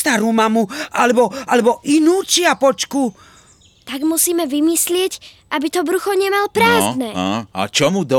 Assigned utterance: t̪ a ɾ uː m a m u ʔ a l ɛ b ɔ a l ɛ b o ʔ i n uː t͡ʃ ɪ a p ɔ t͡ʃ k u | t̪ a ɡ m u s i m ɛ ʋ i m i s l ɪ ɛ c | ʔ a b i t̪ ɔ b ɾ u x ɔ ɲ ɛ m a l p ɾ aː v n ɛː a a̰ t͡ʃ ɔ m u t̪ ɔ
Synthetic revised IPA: t̪ a ɾ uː m a m u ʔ a l ɛ b ɔ a l ɛ b ɔ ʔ i n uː t͡ʃ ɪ a p ɔ t͡ʃ k u | t̪ a ɡ m u s iː m ɛ ʋ i m i s l ɪ ɛ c | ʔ a b i t̪ ɔ b ɾ u x ɔ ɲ ɛ m a l p ɾ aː z n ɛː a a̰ t͡ʃ ɔ m u d̪ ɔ